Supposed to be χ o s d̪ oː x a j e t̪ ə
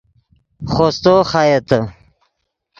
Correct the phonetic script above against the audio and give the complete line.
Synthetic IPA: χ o s t̪ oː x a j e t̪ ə